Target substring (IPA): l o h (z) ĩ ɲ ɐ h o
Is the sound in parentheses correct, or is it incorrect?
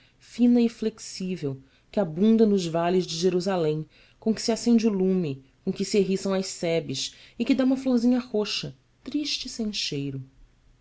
correct